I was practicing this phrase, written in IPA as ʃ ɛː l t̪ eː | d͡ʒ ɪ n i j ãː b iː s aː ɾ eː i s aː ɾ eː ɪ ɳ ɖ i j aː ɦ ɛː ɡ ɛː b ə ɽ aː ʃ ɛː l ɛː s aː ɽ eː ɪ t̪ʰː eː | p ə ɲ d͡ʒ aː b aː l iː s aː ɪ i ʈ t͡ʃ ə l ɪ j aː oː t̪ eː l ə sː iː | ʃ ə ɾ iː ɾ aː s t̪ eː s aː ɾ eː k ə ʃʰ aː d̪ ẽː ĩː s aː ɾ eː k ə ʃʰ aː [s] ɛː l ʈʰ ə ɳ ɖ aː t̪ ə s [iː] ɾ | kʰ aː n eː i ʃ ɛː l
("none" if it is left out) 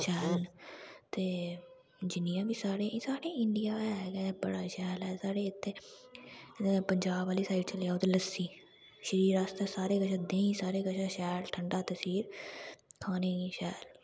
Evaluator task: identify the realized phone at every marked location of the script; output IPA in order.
ʃ, iː

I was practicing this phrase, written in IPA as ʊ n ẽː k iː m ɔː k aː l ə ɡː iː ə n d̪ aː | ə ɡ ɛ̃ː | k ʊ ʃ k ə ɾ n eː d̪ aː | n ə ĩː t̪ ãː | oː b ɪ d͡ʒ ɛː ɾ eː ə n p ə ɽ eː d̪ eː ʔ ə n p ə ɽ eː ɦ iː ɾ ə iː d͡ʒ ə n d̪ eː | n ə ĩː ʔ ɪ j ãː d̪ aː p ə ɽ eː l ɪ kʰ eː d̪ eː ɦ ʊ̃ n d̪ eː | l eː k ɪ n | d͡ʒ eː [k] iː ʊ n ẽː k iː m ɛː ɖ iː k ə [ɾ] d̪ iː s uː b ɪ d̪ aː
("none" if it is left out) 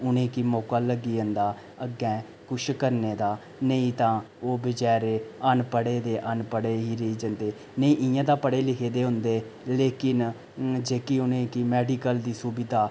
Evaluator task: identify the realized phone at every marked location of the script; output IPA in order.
k, l

